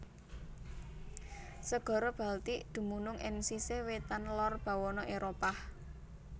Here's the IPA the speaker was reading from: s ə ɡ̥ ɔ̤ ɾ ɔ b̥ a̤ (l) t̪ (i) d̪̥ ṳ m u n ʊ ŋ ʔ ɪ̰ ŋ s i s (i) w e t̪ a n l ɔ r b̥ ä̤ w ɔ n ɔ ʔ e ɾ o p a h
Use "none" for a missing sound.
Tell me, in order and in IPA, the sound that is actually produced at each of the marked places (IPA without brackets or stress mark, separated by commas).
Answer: l, i, e